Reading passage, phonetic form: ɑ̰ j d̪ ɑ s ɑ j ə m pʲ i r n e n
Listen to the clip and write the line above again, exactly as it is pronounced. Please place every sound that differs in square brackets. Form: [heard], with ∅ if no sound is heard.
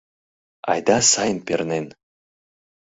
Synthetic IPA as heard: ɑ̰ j d̪ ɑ s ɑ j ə [n] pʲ [e] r n e n